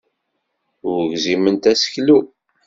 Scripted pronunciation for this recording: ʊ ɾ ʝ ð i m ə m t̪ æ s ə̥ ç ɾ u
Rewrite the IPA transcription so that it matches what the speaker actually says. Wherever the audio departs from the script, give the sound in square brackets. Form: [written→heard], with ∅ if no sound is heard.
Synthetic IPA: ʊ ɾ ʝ [ð→z] i m ə [m→n] t̪ æ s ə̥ ç [ɾ→l] u